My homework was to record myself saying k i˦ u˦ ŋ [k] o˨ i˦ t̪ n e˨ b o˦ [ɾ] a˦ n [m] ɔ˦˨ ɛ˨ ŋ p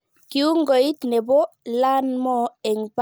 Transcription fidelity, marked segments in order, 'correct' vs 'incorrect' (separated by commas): incorrect, incorrect, correct